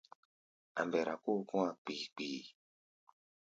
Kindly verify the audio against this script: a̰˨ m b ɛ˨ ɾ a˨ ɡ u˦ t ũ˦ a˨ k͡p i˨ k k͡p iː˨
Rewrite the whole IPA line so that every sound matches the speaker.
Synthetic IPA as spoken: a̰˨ m b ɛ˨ ɾ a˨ k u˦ k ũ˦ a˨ k͡p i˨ k͡p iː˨